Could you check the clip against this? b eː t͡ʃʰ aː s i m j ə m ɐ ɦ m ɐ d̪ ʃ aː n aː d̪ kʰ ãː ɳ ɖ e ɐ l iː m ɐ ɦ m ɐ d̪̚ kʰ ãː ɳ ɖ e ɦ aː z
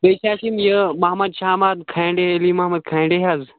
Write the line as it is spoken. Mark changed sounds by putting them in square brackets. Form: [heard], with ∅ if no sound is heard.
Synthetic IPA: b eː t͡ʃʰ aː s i m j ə m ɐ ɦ m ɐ d̪ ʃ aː [m] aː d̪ kʰ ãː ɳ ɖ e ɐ l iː m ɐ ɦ m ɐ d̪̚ kʰ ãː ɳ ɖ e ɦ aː z